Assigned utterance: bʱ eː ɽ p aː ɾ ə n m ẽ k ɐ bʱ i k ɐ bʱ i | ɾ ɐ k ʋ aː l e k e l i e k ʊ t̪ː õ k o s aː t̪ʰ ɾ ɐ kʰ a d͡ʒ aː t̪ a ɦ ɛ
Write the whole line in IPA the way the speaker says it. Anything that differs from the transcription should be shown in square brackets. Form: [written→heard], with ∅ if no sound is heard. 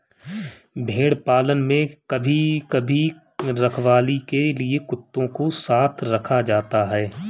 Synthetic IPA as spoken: bʱ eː ɽ p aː [ɾ→l] ə n m ẽ k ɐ bʱ i k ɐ bʱ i | ɾ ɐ [k→kʰ] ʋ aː l [e→i] k e l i e k ʊ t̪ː õ k o s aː t̪ʰ ɾ ɐ kʰ a d͡ʒ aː t̪ a ɦ [ɛ→ɛː]